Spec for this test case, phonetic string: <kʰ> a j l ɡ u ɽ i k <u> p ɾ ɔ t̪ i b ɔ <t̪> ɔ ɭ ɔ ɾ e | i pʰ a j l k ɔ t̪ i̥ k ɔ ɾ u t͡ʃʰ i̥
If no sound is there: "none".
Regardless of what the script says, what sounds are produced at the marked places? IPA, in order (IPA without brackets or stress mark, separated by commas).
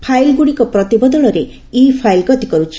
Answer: pʰ, ɔ, d̪